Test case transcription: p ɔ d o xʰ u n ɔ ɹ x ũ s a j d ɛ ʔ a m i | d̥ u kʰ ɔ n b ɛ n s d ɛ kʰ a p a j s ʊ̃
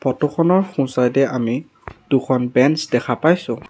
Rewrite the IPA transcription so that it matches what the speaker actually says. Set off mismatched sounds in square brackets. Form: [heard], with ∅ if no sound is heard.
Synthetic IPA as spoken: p ɔ [t] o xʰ [ɔ] n ɔ ɹ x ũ s a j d ɛ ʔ a m i | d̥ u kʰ ɔ n b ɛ n s d ɛ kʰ a p a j s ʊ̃